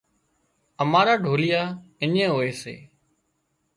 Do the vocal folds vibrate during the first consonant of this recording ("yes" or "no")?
yes